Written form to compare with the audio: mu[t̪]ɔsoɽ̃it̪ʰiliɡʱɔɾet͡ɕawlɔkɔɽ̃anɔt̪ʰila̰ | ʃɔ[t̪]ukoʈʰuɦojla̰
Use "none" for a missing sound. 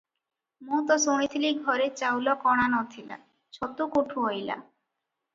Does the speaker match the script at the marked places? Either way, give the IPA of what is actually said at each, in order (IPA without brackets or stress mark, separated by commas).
t̪, t̪